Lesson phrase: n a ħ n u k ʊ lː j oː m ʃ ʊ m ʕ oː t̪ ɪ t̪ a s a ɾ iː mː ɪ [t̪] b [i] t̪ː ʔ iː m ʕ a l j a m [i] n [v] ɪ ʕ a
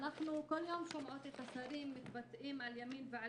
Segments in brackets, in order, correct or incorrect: correct, incorrect: a, incorrect: iː, correct

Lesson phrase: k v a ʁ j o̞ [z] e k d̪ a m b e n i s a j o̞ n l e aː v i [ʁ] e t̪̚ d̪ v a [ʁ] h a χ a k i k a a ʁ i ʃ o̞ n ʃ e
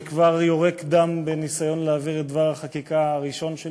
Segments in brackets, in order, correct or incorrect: incorrect: ʁ, correct, correct

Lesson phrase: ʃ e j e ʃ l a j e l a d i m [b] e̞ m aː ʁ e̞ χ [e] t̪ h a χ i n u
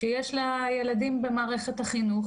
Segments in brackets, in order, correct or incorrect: correct, correct

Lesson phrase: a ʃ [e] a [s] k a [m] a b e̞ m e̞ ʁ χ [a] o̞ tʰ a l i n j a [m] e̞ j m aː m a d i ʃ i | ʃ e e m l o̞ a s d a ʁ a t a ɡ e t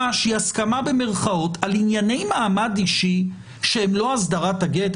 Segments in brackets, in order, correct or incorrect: incorrect: i, correct, correct, correct, incorrect: n

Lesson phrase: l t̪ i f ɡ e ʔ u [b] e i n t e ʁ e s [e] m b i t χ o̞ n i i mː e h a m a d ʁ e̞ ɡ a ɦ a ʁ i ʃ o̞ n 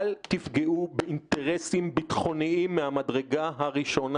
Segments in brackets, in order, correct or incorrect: correct, incorrect: i

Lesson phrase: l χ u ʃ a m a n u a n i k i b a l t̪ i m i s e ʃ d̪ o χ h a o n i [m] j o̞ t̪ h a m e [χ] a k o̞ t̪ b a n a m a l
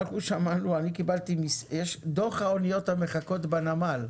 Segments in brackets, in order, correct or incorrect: incorrect: none, correct

